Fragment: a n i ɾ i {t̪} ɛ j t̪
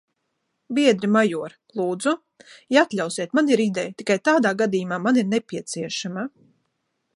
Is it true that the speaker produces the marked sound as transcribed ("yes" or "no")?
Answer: no